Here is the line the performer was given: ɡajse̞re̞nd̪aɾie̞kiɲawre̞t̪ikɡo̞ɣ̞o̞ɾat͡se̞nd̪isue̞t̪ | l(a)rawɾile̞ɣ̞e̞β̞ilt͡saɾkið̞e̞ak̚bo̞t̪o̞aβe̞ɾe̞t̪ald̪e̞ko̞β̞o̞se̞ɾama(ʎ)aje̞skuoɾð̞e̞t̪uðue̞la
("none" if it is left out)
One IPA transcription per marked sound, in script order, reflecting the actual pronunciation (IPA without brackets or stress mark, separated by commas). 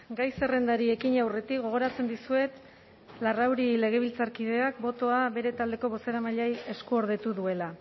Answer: a, ʎ